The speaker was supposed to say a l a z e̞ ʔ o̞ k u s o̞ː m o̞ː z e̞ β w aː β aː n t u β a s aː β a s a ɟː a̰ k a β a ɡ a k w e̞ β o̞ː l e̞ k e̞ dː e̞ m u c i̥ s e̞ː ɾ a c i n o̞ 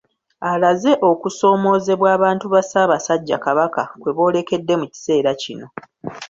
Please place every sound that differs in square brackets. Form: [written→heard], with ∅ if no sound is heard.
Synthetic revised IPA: a l a z e̞ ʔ o̞ k u s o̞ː m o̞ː z e̞ β w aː β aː n t u β a s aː β a s a ɟː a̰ k a β a [ɡ→k] a k w e̞ β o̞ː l e̞ k e̞ dː e̞ m u c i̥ s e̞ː ɾ a c i n o̞

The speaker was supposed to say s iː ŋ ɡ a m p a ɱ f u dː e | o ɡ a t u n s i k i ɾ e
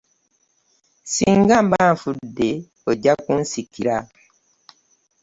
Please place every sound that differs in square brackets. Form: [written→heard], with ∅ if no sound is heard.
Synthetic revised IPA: s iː ŋ ɡ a m [p→b] a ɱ f u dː e | o [ɡ→ɟ] a [t→k] u n s i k i ɾ [e→a]

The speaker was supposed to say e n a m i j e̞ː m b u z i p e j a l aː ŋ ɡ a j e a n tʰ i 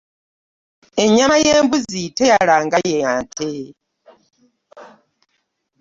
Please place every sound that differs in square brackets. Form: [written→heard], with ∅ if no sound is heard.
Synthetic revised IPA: e [n→ɲ] a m [i→a] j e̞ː m b u z i [p→t] e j a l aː ŋ ɡ a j e a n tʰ [i→e]

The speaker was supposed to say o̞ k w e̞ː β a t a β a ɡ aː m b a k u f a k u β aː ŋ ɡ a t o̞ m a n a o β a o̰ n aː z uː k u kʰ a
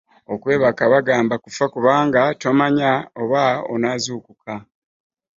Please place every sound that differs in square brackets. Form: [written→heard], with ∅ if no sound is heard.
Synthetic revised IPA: o̞ k w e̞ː β a [t→k] a β a ɡ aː m b a k u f a k u β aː ŋ ɡ a t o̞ m a [n→ɲ] a o β a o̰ n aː z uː k u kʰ a

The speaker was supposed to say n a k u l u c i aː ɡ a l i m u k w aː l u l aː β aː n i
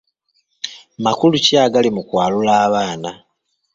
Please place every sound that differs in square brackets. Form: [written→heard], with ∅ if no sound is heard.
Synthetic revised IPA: [n→m] a k u l u c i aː ɡ a l i m u k w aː l u l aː β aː n [i→a]

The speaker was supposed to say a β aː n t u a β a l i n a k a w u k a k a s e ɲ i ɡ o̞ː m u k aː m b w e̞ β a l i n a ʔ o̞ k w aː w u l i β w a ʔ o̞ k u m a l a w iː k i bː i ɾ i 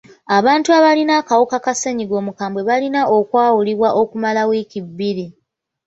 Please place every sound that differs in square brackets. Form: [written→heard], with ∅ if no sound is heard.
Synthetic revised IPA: a β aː n t u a β a l i n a k a w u k a k a s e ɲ i ɡ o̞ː m u k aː m b w e̞ β a l i n a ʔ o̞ k w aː w u l i β w a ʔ o̞ k u m a l a w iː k i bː i ɾ i

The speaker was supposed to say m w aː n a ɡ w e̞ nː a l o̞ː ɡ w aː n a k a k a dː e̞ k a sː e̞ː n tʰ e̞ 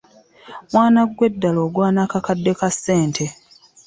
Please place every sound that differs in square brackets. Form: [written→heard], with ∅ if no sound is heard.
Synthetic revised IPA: m w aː n a ɡ w e̞ [nː→dː] a l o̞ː ɡ w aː n a k a k a dː e̞ k a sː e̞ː n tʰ e̞

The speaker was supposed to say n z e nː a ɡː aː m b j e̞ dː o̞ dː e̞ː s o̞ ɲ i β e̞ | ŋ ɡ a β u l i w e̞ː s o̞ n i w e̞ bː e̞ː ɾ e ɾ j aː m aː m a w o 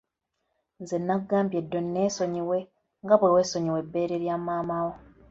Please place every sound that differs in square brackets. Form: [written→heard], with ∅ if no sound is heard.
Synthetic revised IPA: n z e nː a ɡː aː m b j e̞ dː o̞ [dː→nː] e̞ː s o̞ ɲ i [β→w] e̞ | ŋ ɡ a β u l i w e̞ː s o̞ [n→ɲ] i w e̞ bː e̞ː ɾ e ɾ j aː m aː m a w o

